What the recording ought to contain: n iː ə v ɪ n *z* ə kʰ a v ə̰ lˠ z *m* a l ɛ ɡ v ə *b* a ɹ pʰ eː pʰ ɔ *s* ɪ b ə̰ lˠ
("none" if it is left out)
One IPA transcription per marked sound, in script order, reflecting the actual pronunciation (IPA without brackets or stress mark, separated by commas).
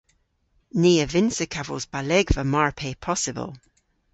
s, b, m, s